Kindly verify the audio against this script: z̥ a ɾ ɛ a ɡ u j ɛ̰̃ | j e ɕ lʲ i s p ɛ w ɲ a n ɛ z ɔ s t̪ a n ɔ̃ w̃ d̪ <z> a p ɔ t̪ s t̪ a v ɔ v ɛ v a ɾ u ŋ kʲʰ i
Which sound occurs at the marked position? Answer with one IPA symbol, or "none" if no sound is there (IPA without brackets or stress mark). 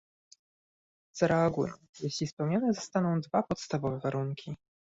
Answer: v